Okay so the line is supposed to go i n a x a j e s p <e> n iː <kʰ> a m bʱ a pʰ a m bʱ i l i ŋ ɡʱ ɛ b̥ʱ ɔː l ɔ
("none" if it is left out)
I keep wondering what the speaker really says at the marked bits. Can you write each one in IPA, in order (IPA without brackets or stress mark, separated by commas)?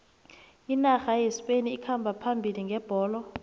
e, kʰ